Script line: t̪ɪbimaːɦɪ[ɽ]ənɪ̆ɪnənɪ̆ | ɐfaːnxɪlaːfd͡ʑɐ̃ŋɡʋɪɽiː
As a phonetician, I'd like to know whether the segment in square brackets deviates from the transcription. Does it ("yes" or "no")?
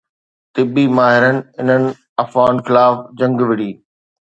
yes